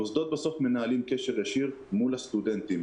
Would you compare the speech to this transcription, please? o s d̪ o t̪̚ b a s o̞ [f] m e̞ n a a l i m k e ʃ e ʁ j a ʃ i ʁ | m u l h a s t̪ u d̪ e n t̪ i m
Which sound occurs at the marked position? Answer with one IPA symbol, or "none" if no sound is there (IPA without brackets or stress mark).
f